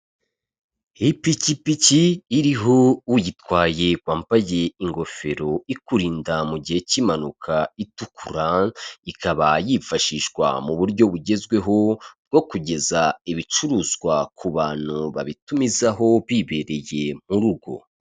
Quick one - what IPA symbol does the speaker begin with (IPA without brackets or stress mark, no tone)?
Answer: h